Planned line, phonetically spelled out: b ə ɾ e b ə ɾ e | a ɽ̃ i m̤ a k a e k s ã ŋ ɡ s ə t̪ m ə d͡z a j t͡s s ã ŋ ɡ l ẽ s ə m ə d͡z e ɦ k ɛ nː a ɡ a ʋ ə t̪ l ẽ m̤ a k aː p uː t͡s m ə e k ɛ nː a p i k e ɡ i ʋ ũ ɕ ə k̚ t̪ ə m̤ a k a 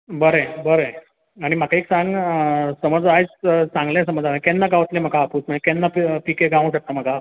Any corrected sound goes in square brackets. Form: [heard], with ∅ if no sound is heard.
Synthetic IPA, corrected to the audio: b ə ɾ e b ə ɾ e | a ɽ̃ i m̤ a k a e k s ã ŋ ɡ s ə [∅] m ə d͡z a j t͡s s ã ŋ ɡ l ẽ s ə m ə d͡z [a] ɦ k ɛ nː a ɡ a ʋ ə t̪ l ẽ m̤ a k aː p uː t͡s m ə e k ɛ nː a p i k e ɡ [a] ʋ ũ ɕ ə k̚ t̪ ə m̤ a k a